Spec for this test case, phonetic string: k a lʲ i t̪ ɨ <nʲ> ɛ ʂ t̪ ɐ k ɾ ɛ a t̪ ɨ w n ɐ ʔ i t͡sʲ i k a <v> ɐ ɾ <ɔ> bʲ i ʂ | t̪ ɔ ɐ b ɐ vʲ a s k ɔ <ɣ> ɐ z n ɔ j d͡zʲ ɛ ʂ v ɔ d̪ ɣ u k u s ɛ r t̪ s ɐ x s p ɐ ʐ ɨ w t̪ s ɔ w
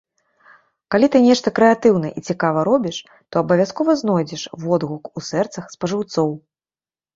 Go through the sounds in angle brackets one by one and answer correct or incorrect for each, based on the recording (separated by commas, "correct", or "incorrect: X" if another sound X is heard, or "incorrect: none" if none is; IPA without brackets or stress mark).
correct, correct, correct, incorrect: v